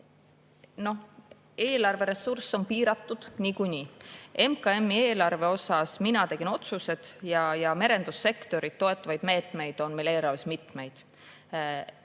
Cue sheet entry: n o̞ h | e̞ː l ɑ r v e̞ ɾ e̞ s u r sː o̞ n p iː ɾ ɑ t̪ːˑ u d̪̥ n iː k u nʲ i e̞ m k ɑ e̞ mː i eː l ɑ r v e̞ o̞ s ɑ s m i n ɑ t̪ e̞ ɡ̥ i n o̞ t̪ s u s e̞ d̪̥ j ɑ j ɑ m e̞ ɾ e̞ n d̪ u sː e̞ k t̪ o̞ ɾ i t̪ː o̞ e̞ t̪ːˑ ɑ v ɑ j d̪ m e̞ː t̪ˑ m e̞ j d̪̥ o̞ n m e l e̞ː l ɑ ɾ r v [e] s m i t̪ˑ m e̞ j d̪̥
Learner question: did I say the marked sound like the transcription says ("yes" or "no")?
yes